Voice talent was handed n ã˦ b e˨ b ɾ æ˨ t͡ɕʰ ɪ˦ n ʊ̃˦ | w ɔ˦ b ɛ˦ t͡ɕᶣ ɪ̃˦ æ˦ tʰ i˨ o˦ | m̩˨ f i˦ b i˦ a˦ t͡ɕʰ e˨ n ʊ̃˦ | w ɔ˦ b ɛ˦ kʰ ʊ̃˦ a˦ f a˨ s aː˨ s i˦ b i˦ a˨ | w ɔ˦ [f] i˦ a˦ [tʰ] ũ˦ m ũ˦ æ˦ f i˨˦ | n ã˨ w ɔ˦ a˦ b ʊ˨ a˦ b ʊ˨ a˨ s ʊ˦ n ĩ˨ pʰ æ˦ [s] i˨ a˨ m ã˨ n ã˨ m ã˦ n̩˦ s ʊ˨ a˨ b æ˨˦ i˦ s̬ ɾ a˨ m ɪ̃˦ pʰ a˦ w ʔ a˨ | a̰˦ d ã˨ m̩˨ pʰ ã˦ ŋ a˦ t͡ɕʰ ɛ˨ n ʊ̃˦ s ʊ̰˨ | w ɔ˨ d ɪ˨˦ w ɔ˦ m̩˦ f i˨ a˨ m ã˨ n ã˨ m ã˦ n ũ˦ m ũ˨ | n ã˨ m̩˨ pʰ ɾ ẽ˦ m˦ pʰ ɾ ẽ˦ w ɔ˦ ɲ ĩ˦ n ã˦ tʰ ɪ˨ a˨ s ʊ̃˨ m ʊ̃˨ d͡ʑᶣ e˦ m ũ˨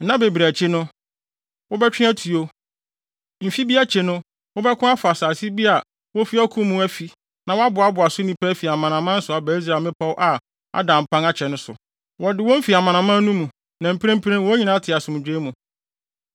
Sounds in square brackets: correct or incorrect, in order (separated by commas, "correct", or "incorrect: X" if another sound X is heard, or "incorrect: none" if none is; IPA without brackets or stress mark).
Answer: correct, incorrect: kʰ, incorrect: f